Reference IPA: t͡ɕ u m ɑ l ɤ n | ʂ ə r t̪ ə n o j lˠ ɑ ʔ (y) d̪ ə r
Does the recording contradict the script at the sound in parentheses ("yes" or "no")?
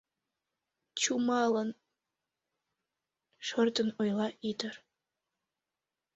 yes